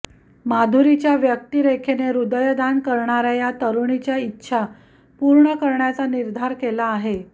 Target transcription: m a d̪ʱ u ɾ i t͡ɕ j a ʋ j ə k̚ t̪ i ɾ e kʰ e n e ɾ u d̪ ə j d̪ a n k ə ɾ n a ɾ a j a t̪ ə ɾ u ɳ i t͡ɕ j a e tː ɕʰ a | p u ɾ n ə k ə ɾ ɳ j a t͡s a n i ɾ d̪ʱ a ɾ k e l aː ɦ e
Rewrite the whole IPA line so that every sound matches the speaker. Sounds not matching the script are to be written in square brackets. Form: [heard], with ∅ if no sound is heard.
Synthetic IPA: m a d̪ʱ u ɾ i t͡ɕ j a ʋ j ə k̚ t̪ i ɾ e kʰ e n e ɾ u d̪ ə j d̪ a n k ə ɾ [ɳ] a ɾ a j a t̪ ə ɾ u ɳ i t͡ɕ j a [i] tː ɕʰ a | p u ɾ [ɳ] ə k ə ɾ ɳ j a t͡s a n i ɾ d̪ʱ a ɾ k e l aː ɦ e